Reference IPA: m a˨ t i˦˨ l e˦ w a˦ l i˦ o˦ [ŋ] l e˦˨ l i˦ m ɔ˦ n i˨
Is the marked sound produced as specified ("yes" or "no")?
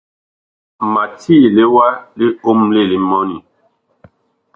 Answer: no